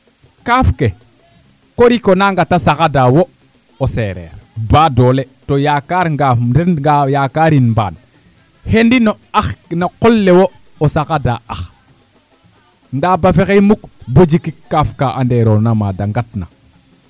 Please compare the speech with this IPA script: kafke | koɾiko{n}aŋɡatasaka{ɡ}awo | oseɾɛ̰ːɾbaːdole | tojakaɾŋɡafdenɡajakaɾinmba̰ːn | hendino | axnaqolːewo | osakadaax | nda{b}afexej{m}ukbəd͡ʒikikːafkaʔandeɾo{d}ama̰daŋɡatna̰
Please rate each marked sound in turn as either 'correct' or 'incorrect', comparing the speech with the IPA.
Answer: correct, incorrect, correct, correct, incorrect

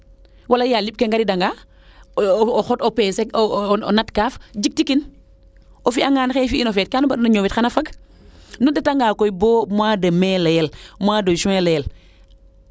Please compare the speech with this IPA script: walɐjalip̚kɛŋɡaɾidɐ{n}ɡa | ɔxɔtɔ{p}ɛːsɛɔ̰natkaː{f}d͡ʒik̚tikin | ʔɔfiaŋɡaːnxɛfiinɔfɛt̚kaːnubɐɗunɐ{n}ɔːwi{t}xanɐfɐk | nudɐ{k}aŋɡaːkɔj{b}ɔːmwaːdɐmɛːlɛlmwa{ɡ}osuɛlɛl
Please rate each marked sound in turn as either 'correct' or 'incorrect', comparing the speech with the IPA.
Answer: incorrect, correct, correct, incorrect, correct, incorrect, correct, incorrect

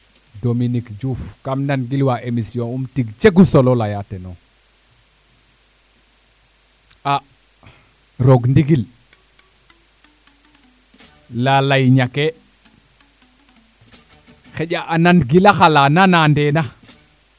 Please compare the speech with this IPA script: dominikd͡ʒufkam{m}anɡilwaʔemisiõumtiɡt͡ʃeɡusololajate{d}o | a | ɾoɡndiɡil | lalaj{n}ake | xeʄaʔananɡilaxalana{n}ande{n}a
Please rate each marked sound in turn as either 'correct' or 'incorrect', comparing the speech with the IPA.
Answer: incorrect, incorrect, incorrect, correct, correct

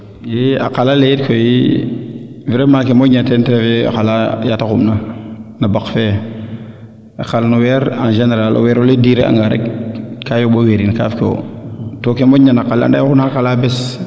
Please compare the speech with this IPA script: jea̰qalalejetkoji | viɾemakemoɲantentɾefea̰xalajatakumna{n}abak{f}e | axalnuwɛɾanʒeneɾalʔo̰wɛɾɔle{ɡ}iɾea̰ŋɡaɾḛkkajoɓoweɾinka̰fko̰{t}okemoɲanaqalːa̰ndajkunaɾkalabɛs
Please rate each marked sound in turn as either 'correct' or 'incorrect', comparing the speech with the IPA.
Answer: correct, correct, incorrect, correct

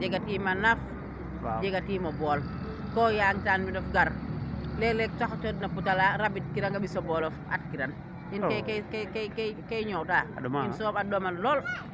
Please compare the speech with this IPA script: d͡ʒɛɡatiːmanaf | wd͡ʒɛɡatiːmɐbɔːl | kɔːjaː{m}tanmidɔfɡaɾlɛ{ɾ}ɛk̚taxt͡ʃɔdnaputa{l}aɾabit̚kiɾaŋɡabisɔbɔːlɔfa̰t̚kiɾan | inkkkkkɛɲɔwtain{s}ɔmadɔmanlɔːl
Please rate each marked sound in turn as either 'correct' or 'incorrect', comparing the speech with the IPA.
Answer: incorrect, incorrect, correct, correct

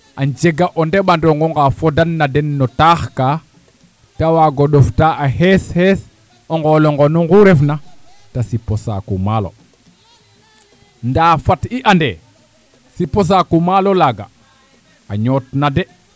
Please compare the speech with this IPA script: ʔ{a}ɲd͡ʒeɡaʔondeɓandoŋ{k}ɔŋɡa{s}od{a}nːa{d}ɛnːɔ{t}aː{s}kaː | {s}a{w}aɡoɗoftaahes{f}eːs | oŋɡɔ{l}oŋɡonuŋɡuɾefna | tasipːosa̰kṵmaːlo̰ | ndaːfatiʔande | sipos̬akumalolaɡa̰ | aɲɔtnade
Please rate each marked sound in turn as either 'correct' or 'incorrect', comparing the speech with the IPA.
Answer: correct, incorrect, incorrect, correct, correct, correct, incorrect, incorrect, correct, incorrect, correct

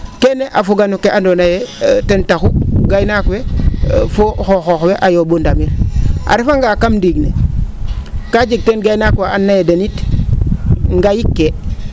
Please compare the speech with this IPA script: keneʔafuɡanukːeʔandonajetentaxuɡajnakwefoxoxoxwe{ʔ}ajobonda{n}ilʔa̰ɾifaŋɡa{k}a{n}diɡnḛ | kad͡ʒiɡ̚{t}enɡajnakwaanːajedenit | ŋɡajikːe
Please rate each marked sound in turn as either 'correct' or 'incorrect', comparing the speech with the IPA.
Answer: correct, incorrect, correct, incorrect, correct

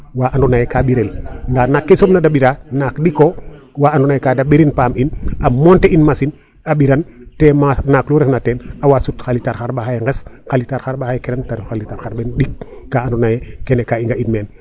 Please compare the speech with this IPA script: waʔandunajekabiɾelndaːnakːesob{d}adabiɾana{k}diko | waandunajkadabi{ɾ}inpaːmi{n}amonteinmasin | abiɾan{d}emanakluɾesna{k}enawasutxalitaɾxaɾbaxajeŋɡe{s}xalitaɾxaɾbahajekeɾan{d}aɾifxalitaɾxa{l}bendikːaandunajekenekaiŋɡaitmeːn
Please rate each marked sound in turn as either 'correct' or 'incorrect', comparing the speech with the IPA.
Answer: incorrect, correct, correct, correct, incorrect, incorrect, correct, incorrect, incorrect

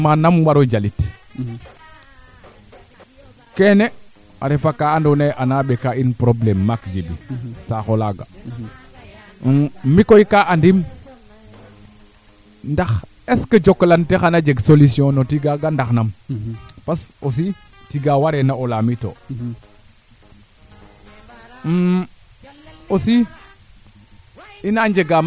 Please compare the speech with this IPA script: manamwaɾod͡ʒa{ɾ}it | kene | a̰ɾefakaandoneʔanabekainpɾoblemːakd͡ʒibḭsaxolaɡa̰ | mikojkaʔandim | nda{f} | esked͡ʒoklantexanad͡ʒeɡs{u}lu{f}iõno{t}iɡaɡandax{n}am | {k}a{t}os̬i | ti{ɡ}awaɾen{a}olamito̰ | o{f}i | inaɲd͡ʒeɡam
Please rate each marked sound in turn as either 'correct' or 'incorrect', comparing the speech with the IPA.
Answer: incorrect, incorrect, incorrect, incorrect, correct, correct, incorrect, incorrect, correct, correct, incorrect

